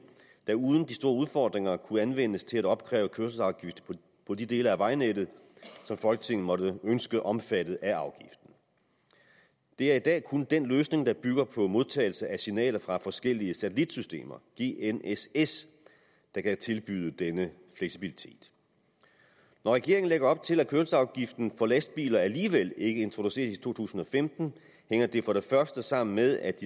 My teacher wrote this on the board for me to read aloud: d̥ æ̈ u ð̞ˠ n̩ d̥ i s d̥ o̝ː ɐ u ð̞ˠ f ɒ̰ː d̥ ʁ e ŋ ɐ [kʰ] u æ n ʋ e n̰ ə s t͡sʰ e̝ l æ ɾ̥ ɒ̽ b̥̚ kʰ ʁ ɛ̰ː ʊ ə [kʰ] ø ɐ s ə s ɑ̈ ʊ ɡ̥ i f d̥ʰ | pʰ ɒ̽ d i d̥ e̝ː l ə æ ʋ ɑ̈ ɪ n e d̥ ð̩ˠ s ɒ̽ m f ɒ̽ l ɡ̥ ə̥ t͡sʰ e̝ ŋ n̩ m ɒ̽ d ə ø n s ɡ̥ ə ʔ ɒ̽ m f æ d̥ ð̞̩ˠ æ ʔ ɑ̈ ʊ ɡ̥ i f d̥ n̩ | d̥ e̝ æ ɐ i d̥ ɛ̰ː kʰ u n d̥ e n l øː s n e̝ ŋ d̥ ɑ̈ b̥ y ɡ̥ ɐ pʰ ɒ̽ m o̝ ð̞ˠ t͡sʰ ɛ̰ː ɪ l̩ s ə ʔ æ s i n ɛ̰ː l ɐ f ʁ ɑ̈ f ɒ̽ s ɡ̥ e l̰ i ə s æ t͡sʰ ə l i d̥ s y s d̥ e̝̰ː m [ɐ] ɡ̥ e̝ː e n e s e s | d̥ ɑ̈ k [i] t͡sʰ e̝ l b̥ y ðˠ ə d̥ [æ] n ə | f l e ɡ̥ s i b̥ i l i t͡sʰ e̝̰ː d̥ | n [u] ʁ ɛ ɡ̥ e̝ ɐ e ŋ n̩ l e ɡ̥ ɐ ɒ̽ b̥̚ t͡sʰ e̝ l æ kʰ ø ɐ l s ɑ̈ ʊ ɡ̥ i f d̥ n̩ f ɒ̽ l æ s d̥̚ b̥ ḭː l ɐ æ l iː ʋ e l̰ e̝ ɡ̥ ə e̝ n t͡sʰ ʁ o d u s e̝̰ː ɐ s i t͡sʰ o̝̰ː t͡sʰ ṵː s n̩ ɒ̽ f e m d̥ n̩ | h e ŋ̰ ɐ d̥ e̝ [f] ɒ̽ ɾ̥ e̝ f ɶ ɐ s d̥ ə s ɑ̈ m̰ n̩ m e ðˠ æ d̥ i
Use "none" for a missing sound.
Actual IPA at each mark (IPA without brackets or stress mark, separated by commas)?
kʰ, kʰ, ɐ, æ, e, ɒ, f